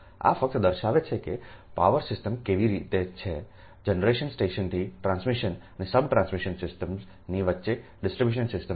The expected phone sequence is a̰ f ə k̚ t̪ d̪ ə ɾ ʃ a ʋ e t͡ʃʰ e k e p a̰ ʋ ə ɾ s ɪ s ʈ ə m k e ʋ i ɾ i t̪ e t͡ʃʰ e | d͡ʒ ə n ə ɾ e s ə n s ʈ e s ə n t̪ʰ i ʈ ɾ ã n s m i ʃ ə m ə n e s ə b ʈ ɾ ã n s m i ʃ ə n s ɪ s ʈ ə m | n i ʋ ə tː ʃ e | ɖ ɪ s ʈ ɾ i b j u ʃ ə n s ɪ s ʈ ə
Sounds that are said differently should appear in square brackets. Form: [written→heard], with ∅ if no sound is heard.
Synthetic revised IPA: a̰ f ə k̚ t̪ d̪ ə ɾ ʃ a ʋ e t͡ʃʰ e k e p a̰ ʋ ə ɾ s ɪ s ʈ ə m k e ʋ i ɾ i t̪ e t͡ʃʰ e | d͡ʒ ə n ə ɾ e [s→ʃ] ə n s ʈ e [s→ʃ] ə n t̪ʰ i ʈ ɾ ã n s m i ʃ ə [m→n] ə n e s ə b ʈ ɾ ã n s m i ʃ ə n s ɪ s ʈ ə m | n i ʋ ə tː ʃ e | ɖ ɪ s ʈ ɾ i b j u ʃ ə n s ɪ s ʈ ə